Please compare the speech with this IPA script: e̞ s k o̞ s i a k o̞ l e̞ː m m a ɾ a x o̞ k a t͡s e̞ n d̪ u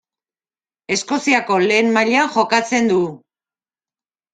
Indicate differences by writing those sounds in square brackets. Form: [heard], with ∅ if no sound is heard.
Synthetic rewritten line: e̞ s k o̞ s i a k o̞ l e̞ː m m a [ʎ] a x o̞ k a t͡s e̞ n d̪ u